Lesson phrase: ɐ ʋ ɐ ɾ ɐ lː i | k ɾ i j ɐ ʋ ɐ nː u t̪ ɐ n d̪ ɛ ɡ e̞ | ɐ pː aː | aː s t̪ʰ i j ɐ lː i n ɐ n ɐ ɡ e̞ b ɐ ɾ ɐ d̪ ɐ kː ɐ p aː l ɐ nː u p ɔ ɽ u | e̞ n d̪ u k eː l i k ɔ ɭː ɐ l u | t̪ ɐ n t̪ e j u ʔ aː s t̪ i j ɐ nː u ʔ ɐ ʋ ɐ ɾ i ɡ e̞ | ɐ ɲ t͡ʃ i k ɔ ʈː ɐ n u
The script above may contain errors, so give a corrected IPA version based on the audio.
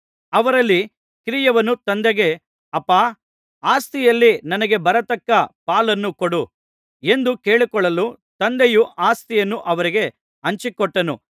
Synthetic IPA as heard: ɐ ʋ ɐ ɾ ɐ lː i | k ɾ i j ɐ ʋ ɐ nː u t̪ ɐ n d̪ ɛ ɡ e̞ | ɐ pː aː | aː s t̪ i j ɐ lː i n ɐ n ɐ ɡ e̞ b ɐ ɾ ɐ t̪ ɐ kː ɐ p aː l ɐ nː u k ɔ ɽ u | e̞ n d̪ u k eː ɭ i k ɔ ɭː ɐ l u | t̪ ɐ n d̪ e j u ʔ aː s t̪ i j ɐ nː u ʔ ɐ ʋ ɐ ɾ i ɡ e̞ | ɐ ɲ t͡ʃ i k ɔ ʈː ɐ n u